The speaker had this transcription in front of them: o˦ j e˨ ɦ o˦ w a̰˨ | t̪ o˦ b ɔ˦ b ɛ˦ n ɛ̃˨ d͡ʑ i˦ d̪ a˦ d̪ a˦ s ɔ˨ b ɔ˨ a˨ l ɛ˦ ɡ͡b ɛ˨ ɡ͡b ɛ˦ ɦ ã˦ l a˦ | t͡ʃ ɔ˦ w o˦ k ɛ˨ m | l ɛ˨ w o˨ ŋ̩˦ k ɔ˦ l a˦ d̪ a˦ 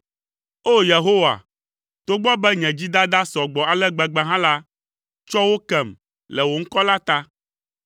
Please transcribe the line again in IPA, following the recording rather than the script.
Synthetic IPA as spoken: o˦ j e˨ ɦ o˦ w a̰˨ | t̪ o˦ ɡ͡b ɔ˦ b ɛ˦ ɲ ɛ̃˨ d͡ʑ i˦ d̪ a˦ d̪ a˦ s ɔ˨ ɡ͡b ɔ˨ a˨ l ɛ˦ ɡ͡b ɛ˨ ɡ͡b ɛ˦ ɦ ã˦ l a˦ | t͡ʃ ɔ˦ w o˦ k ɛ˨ m | l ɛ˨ w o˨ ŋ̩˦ k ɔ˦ l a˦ t̪ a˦